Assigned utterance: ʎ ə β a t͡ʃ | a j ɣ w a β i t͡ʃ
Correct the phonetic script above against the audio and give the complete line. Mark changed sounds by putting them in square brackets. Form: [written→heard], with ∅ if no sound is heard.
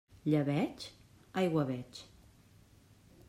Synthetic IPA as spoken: ʎ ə β [a→ɛ] t͡ʃ | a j ɣ w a β [i→ɛ] t͡ʃ